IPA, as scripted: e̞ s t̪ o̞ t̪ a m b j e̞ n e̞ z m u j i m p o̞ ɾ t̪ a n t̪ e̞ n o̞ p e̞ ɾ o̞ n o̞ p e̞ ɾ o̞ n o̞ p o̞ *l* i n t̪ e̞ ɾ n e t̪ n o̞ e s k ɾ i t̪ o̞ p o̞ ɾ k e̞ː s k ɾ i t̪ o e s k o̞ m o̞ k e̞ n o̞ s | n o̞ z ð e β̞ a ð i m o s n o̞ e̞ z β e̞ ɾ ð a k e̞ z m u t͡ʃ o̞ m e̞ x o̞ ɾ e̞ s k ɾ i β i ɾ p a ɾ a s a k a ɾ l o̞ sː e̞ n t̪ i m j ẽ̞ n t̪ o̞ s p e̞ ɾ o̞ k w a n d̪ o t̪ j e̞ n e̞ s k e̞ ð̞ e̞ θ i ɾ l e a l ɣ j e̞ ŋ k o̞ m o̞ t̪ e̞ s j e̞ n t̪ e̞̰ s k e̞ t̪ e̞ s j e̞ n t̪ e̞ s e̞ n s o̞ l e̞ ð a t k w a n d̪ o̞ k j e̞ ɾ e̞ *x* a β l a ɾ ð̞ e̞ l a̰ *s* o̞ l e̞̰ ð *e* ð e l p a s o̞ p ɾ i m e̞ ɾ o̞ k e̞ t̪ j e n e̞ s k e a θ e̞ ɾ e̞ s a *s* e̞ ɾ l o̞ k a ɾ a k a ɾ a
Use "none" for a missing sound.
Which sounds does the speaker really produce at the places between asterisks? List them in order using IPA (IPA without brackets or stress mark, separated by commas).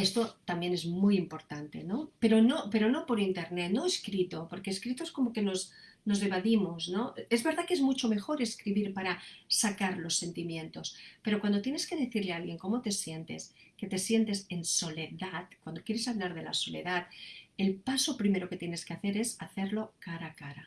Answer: ɾ, s, s, a, θ